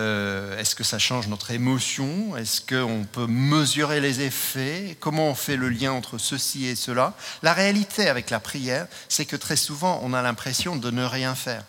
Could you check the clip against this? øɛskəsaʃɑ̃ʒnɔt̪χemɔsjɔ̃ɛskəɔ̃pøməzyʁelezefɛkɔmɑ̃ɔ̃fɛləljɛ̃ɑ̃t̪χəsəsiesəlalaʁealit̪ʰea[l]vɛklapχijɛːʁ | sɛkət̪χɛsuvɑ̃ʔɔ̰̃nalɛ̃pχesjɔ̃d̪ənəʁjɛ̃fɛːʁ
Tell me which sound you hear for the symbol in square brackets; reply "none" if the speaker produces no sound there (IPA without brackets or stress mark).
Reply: none